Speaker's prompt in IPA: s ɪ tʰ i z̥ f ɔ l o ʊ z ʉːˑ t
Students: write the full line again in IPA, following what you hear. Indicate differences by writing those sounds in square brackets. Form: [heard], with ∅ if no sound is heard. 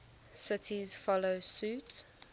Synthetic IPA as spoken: s ɪ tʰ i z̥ f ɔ l o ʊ [s] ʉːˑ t